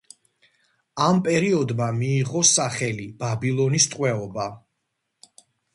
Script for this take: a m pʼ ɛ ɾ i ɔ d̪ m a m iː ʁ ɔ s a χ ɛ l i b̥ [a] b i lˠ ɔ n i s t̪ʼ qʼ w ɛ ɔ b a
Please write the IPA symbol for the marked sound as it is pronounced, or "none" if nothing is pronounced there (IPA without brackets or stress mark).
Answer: a